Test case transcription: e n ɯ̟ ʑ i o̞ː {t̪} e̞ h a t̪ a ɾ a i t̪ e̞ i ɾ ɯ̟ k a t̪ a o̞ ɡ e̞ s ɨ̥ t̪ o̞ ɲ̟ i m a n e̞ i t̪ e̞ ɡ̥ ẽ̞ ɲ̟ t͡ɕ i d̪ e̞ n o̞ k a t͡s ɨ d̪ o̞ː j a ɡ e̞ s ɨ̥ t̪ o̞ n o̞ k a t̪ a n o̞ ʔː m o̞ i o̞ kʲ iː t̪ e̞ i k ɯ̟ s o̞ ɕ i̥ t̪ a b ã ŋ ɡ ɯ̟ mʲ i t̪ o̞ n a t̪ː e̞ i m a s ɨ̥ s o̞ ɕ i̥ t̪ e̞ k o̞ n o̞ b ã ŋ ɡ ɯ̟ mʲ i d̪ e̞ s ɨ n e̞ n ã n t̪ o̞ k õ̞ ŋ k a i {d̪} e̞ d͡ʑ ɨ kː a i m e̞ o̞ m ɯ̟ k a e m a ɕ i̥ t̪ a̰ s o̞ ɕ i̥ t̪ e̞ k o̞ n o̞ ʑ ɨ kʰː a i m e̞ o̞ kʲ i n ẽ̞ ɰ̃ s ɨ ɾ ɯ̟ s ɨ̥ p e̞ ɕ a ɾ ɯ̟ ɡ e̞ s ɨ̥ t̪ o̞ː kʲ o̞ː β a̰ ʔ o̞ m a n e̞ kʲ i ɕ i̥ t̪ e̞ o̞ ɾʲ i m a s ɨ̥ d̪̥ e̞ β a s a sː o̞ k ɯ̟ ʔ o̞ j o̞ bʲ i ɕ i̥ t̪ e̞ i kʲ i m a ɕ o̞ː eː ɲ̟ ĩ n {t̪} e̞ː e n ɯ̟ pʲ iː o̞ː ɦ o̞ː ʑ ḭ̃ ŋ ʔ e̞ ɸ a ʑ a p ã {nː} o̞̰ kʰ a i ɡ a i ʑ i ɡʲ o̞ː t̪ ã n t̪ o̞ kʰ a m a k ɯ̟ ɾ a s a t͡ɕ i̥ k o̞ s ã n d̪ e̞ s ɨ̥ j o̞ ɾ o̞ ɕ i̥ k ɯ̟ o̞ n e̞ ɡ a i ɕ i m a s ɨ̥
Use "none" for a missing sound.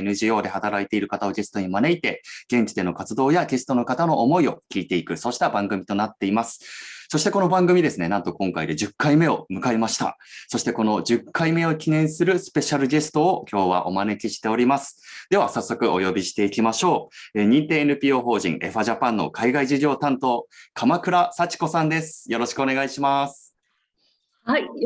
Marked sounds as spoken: d̪, d̪, t̪, nː

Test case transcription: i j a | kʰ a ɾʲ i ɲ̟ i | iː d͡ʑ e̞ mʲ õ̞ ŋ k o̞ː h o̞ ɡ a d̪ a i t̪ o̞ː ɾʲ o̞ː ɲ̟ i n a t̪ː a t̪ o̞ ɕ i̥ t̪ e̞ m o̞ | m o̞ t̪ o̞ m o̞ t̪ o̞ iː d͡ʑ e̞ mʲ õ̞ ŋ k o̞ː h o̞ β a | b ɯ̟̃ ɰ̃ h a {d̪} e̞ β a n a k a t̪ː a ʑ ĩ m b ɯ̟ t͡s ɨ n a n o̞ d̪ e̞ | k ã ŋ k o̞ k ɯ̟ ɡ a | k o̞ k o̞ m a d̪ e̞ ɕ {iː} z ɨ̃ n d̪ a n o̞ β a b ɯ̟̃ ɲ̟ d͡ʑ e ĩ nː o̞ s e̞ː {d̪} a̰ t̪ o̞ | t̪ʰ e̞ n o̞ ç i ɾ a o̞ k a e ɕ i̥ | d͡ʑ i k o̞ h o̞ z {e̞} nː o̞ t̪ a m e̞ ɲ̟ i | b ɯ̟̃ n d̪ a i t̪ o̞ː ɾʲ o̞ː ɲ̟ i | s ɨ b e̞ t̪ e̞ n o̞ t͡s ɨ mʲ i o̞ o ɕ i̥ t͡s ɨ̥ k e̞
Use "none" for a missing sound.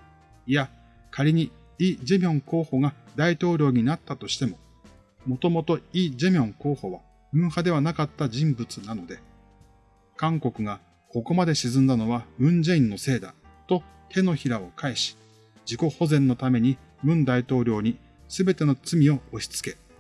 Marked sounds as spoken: d̪, i, d̪, ẽ̞

